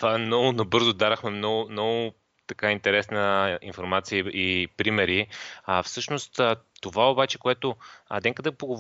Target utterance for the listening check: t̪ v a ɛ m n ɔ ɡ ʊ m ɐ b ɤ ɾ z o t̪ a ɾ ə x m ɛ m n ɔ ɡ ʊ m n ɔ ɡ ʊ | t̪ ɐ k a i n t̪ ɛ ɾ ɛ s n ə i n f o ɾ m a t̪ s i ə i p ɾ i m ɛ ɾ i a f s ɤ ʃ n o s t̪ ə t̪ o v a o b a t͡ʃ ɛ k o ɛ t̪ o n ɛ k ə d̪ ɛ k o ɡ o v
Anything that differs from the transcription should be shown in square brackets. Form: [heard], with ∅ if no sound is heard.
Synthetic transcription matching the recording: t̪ v a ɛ m n ɔ ɡ ʊ [n] ɐ b ɤ ɾ z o [d̪] a ɾ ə x m ɛ m n ɔ ɡ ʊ m n ɔ ɡ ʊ | t̪ ɐ k a i n t̪ ɛ ɾ ɛ s n ə i n f o ɾ m a t̪ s i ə i p ɾ i m ɛ ɾ i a f s ɤ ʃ n o s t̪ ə t̪ o v a o b a t͡ʃ ɛ k o ɛ t̪ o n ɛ k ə d̪ ɛ [p] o ɡ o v